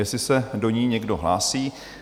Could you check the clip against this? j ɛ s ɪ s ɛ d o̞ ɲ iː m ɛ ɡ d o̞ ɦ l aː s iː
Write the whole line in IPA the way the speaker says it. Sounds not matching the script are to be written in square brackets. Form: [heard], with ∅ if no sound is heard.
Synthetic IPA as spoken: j ɛ s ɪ s ɛ d o̞ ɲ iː [ɲ] ɛ ɡ d o̞ ɦ l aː s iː